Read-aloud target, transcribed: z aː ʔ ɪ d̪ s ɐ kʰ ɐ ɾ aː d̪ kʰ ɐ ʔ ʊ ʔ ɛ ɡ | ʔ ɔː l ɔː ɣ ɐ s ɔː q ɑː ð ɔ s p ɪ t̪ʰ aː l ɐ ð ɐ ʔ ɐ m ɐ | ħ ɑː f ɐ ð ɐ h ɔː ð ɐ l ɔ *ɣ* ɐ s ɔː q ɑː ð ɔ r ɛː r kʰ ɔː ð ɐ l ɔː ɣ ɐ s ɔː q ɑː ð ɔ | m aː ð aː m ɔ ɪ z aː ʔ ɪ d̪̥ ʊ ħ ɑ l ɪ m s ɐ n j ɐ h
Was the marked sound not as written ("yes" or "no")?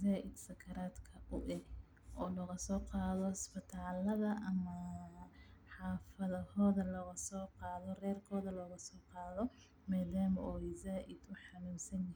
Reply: no